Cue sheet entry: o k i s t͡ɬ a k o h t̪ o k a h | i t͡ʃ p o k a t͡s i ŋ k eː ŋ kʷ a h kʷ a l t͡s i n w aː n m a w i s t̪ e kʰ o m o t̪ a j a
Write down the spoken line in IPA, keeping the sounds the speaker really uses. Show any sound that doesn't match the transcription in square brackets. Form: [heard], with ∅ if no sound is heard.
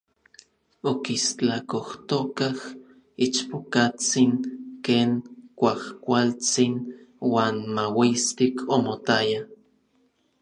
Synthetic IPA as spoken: o k i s t͡ɬ a k o h t̪ o k a h | i t͡ʃ p o k a t͡s i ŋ k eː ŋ kʷ a h kʷ a l t͡s i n w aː n m a w i s t̪ [i] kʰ o m o t̪ a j a